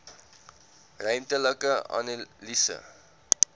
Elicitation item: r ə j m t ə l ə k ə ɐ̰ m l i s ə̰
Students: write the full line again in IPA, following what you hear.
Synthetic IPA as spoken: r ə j m t ə l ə k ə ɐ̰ n l i s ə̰